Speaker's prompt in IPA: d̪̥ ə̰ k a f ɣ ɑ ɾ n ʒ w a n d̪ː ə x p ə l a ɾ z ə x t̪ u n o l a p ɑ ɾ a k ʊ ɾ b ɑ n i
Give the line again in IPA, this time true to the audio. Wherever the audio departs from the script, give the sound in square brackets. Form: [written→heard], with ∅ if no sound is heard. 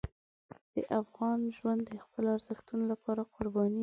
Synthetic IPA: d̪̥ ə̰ [k→ʔ] a f ɣ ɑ [ɾ→∅] n ʒ w a n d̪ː ə x p ə l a ɾ z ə x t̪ u n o l a p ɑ ɾ a [k→q] ʊ ɾ b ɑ n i